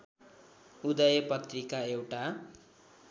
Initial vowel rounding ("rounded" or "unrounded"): rounded